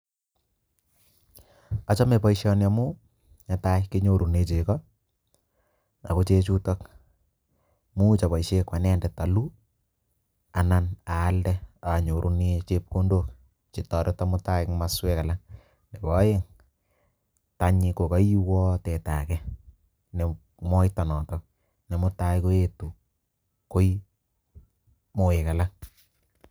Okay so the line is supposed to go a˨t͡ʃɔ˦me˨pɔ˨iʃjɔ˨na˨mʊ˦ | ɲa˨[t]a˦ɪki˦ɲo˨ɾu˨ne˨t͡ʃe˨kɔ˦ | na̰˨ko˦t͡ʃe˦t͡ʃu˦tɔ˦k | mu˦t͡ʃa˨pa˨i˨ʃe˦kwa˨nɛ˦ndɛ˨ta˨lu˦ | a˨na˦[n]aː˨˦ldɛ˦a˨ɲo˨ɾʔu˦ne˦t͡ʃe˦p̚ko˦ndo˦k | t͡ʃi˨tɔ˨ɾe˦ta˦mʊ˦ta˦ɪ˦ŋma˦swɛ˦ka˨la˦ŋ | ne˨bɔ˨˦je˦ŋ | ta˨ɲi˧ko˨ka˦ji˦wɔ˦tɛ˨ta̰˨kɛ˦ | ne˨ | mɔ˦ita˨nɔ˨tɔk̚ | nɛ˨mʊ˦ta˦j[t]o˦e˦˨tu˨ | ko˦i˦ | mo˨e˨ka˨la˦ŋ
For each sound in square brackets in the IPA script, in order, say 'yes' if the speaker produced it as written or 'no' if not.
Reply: yes, yes, no

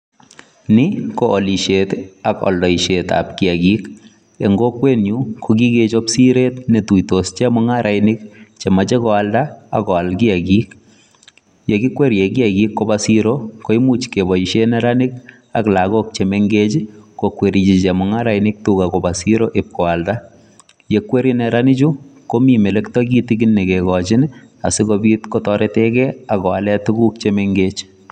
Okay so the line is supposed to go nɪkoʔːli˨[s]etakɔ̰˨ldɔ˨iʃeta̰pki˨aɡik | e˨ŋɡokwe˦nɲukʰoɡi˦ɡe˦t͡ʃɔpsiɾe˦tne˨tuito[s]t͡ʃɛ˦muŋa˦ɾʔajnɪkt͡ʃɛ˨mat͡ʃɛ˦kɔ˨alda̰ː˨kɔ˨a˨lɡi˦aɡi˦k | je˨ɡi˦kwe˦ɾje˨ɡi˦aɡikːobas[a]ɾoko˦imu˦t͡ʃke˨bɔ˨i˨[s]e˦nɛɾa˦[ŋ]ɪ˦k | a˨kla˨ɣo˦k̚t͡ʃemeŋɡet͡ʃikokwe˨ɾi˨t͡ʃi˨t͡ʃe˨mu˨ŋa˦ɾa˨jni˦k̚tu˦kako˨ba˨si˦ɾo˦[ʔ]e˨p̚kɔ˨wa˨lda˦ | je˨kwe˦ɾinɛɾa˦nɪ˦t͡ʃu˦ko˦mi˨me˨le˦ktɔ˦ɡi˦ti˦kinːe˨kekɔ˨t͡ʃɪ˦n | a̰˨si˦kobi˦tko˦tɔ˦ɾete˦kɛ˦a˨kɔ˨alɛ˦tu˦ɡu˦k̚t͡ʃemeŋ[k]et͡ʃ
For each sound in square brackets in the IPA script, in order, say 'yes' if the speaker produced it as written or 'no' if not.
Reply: no, yes, no, no, no, yes, no

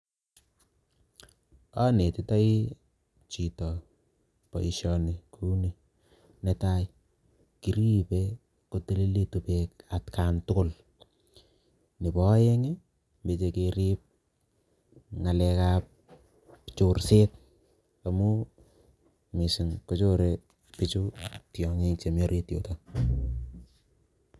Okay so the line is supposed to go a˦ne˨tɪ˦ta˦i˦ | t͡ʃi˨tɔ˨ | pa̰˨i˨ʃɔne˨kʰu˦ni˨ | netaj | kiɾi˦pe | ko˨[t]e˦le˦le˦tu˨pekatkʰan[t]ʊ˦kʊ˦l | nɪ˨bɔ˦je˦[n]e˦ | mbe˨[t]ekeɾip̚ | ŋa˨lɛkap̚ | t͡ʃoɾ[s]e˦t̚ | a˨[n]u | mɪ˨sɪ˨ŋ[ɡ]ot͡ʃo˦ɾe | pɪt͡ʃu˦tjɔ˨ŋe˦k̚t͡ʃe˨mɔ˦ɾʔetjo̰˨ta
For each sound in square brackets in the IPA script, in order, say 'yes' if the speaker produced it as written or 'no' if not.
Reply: yes, yes, no, no, yes, no, no

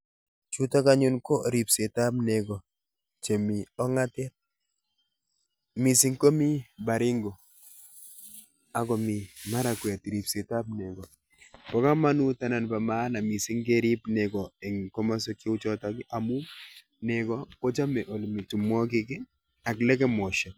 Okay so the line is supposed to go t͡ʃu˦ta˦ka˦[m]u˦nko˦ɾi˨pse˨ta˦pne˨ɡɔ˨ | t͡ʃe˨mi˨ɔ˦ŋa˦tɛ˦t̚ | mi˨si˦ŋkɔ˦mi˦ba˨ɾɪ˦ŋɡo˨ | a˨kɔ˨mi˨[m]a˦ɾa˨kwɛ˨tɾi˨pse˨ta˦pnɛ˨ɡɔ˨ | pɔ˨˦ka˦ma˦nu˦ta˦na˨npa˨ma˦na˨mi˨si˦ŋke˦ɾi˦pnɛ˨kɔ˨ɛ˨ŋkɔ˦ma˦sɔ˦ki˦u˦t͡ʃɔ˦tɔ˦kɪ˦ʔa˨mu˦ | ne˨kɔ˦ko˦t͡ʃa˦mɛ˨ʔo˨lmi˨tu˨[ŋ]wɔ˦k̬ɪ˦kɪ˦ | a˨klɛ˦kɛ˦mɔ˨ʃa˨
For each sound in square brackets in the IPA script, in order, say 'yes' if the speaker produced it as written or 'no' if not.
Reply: no, yes, no

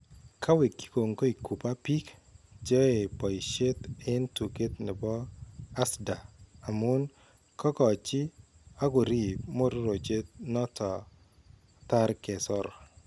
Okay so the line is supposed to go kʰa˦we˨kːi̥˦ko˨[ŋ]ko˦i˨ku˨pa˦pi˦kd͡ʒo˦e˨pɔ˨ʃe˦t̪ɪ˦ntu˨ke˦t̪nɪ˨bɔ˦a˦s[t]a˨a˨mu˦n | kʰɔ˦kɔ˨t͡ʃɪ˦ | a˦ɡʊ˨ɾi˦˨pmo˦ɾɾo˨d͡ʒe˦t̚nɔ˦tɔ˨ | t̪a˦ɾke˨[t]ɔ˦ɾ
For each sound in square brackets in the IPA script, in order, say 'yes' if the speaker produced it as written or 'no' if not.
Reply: yes, no, no

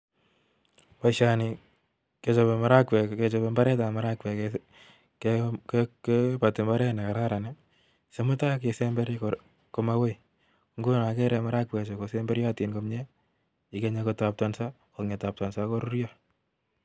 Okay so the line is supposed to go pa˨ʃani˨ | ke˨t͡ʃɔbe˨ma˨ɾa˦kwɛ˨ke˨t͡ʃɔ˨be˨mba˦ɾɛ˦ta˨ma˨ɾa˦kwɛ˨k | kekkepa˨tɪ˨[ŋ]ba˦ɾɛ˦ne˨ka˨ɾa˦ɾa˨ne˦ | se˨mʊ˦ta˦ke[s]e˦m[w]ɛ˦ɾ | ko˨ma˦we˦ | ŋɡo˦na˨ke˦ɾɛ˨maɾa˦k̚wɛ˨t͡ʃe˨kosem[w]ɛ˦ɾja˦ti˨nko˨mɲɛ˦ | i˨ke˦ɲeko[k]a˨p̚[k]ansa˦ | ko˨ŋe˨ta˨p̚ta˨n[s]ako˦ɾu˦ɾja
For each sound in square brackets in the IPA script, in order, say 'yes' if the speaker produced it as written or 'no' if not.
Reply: no, yes, no, no, no, no, yes

